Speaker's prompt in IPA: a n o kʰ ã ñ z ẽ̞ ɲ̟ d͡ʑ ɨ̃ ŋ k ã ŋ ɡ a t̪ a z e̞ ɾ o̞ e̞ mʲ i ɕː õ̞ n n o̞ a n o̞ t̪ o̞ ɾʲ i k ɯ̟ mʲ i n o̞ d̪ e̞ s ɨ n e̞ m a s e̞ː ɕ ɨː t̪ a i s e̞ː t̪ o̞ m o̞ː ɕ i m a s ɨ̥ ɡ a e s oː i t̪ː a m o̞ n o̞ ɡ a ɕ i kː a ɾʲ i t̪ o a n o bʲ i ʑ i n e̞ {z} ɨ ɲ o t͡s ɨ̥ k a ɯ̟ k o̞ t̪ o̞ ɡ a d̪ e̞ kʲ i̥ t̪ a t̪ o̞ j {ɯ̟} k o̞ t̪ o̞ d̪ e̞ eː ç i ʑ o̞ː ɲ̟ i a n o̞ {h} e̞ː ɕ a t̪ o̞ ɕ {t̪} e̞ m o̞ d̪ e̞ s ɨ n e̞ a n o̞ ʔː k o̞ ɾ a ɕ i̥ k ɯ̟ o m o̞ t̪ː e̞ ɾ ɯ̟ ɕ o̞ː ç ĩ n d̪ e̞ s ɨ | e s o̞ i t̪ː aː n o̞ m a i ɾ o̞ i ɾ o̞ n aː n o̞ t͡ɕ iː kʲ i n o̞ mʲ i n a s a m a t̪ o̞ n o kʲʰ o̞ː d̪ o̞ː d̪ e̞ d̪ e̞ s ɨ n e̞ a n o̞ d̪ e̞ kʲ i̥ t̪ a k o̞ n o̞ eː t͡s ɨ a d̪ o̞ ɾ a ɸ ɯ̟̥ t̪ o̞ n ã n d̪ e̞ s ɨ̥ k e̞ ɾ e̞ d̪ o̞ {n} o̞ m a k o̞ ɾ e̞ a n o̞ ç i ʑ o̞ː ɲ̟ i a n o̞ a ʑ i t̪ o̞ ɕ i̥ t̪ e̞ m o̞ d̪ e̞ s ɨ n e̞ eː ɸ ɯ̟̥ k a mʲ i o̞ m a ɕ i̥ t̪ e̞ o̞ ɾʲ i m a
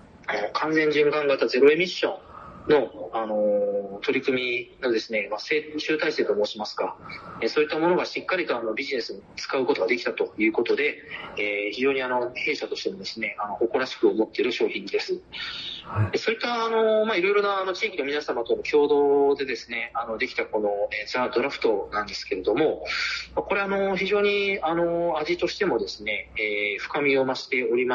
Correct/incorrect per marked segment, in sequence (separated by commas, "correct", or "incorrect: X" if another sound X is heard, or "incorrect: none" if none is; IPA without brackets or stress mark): incorrect: s, incorrect: ɯ̟ː, correct, correct, incorrect: m